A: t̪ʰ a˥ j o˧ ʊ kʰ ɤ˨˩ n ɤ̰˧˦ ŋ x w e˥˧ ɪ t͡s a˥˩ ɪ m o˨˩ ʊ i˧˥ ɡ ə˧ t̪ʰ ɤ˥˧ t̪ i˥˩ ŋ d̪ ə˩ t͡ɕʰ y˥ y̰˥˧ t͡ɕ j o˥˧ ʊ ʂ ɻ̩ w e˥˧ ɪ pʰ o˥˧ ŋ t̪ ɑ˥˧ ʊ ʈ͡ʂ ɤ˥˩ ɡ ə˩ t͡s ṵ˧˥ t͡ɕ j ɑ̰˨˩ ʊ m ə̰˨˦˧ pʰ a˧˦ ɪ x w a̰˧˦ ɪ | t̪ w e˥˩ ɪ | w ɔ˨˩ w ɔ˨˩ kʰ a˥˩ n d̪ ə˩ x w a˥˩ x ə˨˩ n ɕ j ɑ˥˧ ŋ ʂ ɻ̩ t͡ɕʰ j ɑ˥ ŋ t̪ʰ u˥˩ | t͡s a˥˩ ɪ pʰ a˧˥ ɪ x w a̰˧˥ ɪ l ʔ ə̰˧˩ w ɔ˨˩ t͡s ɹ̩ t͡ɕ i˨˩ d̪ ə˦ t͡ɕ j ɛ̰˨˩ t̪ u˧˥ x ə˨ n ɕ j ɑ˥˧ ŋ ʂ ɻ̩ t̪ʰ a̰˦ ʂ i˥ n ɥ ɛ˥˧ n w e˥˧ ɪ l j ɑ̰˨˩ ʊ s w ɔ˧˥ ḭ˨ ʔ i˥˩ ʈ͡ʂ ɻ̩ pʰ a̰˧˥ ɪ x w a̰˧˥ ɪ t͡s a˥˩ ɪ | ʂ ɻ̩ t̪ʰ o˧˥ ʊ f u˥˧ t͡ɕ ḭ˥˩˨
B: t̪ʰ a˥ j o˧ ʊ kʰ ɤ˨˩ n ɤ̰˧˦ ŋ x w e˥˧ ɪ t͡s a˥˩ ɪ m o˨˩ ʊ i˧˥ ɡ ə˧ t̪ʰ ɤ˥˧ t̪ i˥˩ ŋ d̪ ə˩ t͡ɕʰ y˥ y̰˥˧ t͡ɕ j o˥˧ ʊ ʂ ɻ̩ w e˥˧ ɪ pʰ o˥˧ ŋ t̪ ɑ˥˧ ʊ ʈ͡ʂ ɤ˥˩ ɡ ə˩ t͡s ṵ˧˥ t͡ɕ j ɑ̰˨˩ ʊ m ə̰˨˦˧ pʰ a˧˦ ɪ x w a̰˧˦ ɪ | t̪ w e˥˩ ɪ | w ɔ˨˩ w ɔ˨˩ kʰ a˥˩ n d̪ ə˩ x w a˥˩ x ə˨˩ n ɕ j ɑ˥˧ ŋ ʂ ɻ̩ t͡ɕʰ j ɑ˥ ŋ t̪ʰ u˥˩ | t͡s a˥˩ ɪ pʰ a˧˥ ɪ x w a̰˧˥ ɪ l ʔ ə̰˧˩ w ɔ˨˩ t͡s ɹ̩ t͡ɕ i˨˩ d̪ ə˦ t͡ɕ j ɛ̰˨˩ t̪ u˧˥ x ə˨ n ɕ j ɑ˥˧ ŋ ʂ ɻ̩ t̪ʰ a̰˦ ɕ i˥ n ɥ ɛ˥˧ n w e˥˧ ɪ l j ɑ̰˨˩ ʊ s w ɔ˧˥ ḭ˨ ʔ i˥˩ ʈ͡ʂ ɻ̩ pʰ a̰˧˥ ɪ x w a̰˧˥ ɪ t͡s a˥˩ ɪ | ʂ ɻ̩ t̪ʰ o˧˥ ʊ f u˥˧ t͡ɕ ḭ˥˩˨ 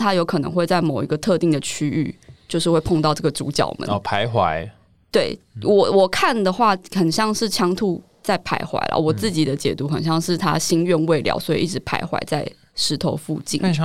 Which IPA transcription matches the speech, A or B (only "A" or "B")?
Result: B